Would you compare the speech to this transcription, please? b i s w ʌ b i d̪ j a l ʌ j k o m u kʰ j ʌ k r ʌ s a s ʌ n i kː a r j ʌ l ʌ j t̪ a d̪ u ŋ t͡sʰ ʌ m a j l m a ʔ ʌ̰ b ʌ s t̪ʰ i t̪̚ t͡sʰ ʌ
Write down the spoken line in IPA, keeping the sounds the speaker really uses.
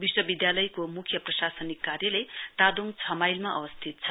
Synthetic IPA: b i s w ʌ b i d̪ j a l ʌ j k o m u kʰ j ʌ p r ʌ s a s ʌ n i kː a r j ʌ l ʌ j t̪ a d̪ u ŋ t͡sʰ ʌ m a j l m a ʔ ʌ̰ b ʌ s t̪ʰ i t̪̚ t͡sʰ ʌ